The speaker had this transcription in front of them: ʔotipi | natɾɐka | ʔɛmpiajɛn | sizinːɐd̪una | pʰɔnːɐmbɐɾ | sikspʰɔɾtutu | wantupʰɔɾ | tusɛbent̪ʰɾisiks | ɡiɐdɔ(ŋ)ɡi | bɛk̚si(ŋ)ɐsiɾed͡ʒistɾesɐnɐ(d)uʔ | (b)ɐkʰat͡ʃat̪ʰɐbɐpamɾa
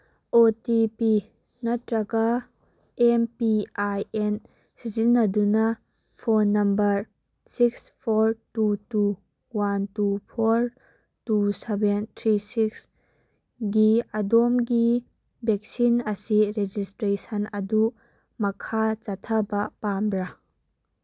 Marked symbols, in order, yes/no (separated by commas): no, no, yes, no